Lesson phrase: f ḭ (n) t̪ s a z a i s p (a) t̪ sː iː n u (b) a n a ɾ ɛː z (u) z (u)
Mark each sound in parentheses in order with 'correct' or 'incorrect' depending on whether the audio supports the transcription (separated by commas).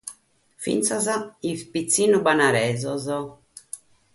correct, incorrect, correct, incorrect, incorrect